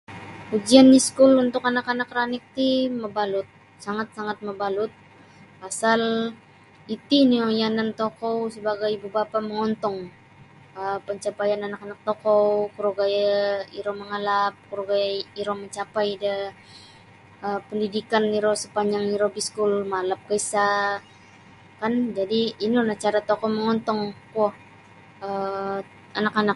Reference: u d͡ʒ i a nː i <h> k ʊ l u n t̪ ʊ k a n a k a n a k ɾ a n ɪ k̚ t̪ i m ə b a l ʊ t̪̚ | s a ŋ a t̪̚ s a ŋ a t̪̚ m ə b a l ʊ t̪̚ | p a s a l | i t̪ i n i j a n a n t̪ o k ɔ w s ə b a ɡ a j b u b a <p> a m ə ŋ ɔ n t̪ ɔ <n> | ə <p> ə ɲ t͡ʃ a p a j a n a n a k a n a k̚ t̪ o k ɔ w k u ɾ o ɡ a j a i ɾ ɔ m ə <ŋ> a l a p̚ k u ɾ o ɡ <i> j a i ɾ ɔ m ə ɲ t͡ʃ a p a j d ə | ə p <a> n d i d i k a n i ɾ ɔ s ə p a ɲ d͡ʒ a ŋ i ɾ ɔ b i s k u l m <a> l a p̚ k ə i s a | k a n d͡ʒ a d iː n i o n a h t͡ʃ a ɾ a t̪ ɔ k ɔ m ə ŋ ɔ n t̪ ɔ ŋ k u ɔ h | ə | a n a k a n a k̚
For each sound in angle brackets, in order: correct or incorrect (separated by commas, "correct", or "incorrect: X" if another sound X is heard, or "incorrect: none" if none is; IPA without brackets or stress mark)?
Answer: incorrect: s, correct, incorrect: ŋ, correct, correct, incorrect: a, incorrect: ə, correct